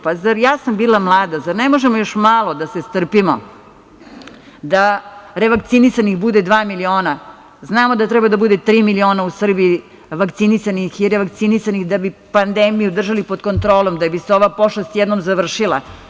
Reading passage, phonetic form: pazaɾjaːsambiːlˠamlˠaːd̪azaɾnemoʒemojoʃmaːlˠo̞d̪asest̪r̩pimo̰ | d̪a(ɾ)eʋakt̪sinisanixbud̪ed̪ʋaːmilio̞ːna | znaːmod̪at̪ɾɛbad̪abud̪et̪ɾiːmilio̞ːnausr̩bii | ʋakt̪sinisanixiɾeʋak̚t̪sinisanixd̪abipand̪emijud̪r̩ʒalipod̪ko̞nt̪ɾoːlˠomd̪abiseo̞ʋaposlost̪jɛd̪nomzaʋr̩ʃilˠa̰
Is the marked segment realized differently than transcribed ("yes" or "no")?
no